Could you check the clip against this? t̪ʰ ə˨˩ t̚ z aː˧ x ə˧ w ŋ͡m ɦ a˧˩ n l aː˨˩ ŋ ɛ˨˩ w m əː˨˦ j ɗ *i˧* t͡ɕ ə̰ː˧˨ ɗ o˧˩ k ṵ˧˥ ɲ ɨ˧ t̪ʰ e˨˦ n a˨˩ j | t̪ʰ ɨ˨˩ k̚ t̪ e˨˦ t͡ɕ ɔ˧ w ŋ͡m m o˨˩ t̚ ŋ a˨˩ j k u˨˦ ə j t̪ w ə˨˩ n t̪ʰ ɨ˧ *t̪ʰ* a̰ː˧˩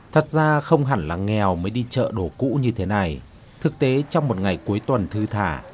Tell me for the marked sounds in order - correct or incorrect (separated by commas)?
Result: correct, correct